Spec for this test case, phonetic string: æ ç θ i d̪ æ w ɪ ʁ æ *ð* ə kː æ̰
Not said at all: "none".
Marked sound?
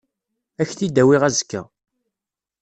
z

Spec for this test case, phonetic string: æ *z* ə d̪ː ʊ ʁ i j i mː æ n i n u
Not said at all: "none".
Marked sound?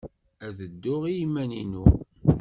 ð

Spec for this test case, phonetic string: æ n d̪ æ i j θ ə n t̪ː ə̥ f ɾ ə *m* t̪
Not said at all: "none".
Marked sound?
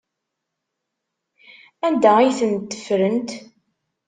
n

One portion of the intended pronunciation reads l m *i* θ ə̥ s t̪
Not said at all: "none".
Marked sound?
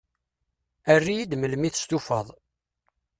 i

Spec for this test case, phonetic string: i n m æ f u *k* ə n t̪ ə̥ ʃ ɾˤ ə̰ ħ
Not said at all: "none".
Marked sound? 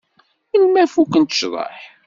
k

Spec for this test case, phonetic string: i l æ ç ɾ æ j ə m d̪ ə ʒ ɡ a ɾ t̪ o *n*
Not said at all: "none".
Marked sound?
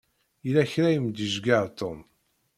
m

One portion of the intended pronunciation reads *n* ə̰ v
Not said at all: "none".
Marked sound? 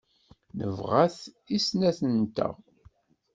n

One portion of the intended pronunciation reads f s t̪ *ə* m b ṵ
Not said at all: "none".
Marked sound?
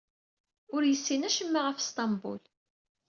ɑ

